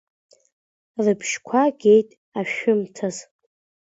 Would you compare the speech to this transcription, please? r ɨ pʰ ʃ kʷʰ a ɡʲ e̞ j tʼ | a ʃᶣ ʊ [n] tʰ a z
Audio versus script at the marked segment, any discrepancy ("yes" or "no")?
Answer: yes